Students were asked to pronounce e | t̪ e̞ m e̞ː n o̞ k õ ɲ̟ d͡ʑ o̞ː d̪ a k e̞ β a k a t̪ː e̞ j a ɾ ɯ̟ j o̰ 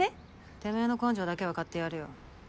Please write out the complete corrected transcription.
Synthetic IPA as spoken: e | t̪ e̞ m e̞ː n o̞ k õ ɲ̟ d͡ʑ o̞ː d̪ a k e̞ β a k a t̪ː e̞ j a ɾ ɯ̟ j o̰